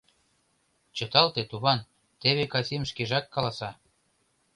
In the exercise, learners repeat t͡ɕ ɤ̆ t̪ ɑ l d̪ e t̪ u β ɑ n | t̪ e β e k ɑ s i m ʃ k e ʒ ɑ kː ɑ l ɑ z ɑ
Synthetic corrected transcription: t͡ɕ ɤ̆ t̪ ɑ l t̪ e t̪ u β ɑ n | t̪ e β e k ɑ s i m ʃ k e ʒ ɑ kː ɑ l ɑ s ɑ